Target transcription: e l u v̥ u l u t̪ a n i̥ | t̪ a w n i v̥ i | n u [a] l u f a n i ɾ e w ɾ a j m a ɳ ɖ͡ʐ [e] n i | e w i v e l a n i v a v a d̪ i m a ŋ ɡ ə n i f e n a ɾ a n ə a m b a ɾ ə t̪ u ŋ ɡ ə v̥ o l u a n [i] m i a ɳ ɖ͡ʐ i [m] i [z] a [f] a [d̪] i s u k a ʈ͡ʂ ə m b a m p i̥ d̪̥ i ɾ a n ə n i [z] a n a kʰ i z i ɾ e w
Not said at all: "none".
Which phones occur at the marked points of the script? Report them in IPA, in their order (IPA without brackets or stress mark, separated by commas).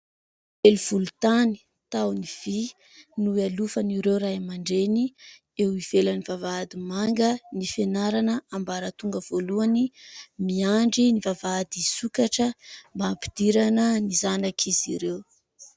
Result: a, e, i, n, v, v, d̪, z